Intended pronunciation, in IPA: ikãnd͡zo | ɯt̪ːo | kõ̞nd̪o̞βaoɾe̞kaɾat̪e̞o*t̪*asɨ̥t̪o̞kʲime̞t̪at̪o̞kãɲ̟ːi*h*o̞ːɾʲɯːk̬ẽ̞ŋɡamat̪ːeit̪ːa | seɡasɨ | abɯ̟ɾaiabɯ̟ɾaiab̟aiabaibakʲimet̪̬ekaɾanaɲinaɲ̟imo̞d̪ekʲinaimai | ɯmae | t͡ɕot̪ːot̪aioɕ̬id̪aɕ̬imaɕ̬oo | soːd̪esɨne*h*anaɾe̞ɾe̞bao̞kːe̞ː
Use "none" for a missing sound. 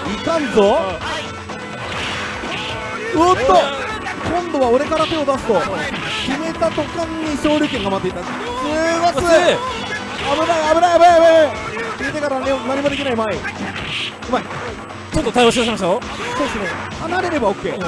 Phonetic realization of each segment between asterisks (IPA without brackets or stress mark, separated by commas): d̪, ɕ, h